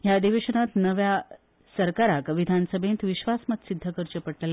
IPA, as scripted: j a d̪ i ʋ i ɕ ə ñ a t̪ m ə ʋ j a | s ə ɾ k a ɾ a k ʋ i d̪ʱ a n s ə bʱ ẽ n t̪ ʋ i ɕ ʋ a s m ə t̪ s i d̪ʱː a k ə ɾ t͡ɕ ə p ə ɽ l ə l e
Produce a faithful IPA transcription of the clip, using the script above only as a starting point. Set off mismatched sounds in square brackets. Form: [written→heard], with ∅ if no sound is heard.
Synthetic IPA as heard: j a d̪ i ʋ [i→e] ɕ ə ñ a t̪ [m→n] ə ʋ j a | s ə ɾ k a ɾ a k ʋ i d̪ʱ a n s ə bʱ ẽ n t̪ ʋ i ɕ ʋ a s m ə t̪ s i d̪ʱː [a→ə] k ə ɾ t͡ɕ ə p ə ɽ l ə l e